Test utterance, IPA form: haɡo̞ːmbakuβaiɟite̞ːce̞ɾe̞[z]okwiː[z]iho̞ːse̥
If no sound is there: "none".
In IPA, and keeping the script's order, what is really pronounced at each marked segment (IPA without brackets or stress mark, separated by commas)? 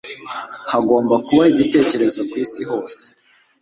z, s